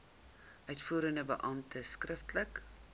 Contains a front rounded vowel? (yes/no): yes